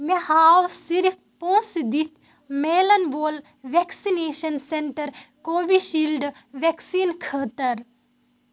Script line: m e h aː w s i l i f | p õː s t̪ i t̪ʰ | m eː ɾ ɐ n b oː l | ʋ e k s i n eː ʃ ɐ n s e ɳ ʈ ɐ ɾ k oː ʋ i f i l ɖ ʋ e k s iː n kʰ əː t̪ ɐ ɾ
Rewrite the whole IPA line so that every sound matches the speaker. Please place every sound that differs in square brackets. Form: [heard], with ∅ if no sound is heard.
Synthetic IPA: m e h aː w s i [ɾ] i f | p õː s [d̪] i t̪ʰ | m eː [l] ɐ n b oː l | ʋ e k s i n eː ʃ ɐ n s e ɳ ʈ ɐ ɾ k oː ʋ i [ʃ] i l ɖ ʋ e k s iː n kʰ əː t̪ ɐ ɾ